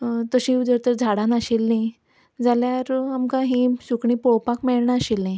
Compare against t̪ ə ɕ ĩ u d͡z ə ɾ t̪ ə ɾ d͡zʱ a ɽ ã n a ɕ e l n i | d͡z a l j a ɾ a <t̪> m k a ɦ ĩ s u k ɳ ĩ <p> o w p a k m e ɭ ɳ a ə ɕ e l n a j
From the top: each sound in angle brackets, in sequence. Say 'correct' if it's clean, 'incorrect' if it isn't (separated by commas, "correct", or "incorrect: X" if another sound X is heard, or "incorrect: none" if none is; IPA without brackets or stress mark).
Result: incorrect: none, correct